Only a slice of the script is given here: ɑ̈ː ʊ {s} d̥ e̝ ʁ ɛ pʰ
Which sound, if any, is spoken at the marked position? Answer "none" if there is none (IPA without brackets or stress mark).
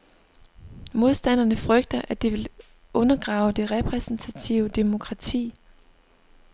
none